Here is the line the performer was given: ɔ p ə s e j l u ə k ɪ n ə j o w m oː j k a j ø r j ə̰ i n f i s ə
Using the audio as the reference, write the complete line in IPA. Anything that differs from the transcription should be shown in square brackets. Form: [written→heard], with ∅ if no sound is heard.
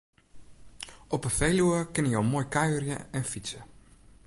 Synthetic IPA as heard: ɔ p ə [s→f] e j l u ə k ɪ n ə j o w m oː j k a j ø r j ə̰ [i→ɛ] n f i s ə